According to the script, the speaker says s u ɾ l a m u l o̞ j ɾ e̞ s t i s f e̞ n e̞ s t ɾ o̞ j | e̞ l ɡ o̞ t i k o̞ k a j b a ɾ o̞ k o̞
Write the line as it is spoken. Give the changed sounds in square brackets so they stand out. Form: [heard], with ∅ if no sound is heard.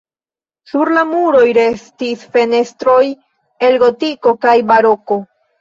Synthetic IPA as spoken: s u ɾ l a m u [ɾ] o̞ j ɾ e̞ s t i s f e̞ n e̞ s t ɾ o̞ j | e̞ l ɡ o̞ t i k o̞ k a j b a ɾ o̞ k o̞